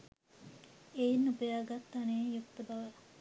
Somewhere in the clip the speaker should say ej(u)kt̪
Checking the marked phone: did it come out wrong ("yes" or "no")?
no